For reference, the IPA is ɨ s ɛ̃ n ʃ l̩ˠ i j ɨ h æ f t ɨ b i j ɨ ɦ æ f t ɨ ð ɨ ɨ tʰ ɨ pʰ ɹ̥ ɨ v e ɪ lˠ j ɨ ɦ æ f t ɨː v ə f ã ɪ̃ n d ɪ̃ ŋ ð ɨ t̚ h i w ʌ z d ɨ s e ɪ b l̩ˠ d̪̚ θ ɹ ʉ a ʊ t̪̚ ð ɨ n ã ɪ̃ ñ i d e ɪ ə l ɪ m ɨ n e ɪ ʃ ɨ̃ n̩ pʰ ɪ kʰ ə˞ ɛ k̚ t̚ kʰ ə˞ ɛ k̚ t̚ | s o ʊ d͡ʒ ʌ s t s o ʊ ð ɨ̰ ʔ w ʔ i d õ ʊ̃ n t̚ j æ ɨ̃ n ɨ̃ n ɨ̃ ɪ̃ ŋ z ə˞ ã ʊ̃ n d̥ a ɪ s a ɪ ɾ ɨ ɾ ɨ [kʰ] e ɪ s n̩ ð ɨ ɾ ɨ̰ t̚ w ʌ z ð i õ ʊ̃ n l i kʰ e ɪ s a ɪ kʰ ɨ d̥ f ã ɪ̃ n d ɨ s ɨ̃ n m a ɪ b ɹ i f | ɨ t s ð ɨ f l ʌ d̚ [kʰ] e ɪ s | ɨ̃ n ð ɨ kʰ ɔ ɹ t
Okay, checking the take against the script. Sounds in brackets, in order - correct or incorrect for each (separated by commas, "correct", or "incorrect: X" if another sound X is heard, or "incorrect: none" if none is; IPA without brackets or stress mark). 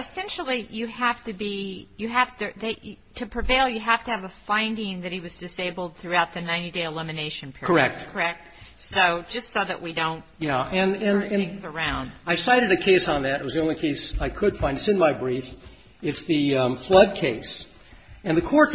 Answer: correct, correct